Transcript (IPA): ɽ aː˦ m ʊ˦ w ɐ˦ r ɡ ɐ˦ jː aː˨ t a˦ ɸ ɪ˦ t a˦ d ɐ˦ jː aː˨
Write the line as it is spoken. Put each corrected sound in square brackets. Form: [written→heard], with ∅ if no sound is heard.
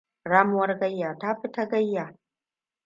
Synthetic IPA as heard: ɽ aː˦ m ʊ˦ w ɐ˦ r ɡ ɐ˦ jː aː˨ t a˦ ɸ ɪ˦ t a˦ [d→ɡ] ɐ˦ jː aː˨